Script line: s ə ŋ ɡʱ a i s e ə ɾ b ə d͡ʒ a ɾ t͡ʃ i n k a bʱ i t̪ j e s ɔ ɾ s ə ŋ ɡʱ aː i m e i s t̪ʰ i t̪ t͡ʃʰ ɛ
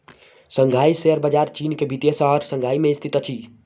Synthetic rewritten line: s ə ŋ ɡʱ a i s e ə ɾ b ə d͡ʒ a ɾ t͡ʃ i n k e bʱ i t̪ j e s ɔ ɾ s ə ŋ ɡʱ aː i m e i s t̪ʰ i t̪ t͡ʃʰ i